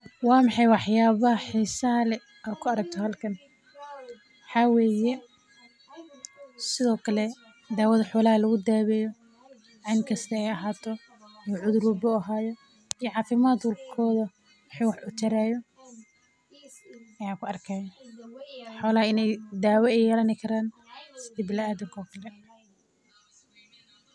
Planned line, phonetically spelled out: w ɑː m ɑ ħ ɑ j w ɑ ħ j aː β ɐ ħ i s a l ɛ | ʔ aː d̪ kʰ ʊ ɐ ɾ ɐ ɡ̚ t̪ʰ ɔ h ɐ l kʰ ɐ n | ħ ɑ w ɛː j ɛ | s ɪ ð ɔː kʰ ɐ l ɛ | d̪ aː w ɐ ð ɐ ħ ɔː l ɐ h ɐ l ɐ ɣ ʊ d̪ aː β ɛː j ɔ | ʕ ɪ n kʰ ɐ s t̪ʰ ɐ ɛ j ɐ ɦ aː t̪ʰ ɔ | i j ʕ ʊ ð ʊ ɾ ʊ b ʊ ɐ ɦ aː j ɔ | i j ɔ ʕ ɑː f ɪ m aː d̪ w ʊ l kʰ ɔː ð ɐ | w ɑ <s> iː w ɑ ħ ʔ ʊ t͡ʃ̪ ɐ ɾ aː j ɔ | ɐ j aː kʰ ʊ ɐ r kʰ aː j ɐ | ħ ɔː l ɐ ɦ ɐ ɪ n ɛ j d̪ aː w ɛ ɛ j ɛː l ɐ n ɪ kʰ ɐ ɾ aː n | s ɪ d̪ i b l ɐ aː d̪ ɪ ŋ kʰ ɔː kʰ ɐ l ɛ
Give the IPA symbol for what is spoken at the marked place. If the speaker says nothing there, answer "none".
ħ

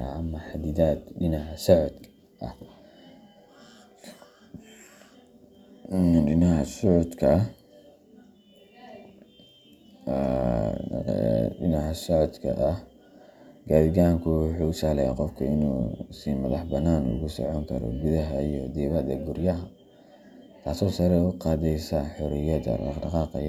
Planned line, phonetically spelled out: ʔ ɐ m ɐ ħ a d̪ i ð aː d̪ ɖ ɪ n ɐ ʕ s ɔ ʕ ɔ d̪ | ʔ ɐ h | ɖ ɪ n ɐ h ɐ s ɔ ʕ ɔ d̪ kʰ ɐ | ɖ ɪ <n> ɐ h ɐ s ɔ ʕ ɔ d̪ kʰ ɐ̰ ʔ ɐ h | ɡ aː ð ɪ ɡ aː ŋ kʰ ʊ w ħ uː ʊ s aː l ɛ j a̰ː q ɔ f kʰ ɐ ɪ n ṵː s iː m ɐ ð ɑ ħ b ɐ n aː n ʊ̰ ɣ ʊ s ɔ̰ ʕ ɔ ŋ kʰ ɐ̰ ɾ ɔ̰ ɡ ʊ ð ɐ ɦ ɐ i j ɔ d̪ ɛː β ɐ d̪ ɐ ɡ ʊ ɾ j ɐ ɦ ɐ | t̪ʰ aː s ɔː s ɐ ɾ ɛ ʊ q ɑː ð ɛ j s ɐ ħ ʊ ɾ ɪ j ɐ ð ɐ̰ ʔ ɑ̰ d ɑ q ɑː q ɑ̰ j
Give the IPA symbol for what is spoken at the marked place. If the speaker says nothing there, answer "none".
n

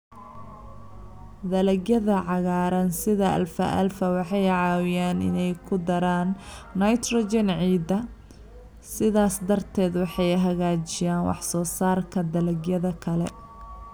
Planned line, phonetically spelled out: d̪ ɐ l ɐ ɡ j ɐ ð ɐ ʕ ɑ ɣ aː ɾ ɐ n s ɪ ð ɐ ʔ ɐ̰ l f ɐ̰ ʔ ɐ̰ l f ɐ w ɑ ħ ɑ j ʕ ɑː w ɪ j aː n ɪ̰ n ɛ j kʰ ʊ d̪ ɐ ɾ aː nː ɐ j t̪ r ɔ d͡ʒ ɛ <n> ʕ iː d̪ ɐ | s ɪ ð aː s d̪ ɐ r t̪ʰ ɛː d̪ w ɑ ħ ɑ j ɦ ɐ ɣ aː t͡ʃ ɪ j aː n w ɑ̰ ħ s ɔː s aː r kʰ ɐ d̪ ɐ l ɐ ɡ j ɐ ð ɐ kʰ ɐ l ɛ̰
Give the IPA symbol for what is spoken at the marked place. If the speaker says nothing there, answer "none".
n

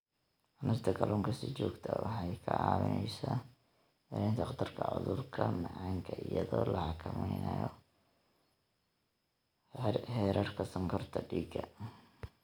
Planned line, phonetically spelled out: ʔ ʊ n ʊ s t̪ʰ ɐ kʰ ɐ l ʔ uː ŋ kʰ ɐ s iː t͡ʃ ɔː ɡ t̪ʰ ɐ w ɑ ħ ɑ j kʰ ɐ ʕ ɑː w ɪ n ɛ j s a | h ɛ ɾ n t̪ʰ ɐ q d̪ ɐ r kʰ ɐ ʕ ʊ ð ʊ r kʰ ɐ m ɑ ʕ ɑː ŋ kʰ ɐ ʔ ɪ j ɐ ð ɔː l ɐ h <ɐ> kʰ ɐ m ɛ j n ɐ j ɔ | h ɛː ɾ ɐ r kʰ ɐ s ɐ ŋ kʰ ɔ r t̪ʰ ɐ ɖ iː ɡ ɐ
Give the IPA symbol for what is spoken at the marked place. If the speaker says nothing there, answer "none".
ɑ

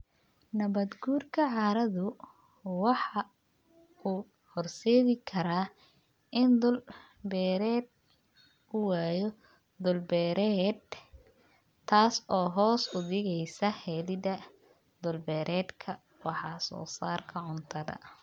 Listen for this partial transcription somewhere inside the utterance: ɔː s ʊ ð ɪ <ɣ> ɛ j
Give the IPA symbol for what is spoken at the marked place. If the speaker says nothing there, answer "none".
ɣ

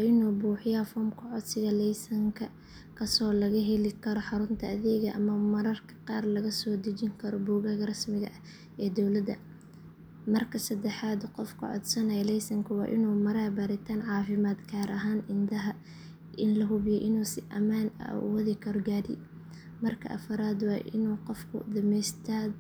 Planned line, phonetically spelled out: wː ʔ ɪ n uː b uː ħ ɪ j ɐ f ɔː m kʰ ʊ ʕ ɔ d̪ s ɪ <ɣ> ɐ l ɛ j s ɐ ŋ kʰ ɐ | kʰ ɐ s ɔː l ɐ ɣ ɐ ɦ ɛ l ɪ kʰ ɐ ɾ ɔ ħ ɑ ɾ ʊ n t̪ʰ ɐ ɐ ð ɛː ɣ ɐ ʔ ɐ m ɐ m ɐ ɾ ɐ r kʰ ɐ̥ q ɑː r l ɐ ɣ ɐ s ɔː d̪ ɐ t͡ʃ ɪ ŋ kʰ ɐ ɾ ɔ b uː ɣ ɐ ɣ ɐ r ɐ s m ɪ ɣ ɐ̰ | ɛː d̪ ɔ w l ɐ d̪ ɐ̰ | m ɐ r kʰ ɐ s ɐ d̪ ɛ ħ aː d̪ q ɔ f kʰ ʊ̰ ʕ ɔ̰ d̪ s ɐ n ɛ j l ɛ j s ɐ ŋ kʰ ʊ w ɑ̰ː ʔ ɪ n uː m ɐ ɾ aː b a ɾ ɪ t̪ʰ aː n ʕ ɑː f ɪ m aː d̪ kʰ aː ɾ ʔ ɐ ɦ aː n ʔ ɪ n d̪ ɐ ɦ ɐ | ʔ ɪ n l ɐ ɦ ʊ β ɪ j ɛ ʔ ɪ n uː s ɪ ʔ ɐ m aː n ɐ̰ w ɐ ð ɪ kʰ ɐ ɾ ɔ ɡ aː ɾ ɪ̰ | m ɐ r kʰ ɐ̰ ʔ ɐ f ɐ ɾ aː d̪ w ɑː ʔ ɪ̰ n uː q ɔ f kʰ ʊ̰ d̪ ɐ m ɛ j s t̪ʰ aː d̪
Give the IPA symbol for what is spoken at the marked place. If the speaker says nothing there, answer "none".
ɣ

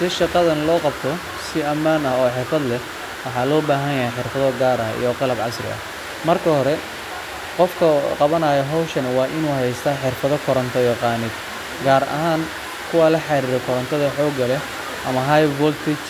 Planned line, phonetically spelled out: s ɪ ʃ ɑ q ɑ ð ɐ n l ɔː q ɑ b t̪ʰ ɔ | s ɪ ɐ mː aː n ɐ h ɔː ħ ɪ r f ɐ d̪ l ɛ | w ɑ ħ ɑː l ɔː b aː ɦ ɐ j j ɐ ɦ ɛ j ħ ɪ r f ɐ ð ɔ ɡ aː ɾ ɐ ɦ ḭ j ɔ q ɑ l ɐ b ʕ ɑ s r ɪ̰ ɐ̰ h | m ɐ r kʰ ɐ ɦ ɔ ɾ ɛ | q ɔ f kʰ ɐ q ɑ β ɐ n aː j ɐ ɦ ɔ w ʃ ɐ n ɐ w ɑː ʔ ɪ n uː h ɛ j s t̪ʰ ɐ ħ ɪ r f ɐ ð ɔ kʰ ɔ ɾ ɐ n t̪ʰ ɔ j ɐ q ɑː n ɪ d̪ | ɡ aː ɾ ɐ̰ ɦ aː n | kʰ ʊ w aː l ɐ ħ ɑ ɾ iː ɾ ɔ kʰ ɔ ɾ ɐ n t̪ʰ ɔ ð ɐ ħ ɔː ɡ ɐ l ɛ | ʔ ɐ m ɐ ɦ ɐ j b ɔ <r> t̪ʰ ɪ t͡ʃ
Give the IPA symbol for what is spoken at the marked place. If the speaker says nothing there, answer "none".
l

